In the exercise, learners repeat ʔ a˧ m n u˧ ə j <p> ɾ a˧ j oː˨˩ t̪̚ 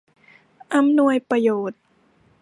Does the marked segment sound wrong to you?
no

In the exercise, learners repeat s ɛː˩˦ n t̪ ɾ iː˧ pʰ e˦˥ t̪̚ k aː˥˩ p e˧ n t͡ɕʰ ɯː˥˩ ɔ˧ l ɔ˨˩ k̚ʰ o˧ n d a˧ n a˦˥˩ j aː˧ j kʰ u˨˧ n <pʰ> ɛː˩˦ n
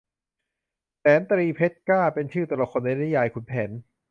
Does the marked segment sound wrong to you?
no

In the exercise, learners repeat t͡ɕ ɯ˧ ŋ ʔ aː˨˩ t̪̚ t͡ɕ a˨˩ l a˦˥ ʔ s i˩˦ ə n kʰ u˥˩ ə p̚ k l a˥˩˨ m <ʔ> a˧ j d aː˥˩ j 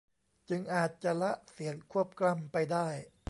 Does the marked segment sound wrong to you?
yes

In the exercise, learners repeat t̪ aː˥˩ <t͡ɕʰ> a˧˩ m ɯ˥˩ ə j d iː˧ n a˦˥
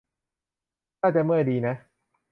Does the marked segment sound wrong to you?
yes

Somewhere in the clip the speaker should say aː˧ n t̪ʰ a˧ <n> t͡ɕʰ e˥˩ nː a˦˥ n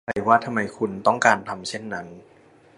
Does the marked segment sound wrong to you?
yes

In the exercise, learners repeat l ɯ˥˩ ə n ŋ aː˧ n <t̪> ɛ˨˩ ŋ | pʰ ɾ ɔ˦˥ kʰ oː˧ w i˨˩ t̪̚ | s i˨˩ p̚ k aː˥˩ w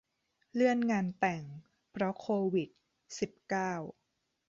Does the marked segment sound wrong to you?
no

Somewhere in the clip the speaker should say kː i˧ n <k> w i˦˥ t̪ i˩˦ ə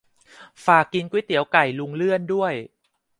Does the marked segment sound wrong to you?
no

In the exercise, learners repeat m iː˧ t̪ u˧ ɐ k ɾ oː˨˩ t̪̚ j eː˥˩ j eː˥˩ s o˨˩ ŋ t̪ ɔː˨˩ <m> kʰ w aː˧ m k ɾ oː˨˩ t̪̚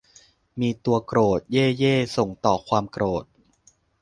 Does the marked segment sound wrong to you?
yes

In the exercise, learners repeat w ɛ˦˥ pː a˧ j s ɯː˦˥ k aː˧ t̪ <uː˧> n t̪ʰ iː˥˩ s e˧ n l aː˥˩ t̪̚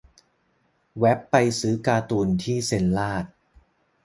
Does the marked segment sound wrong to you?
no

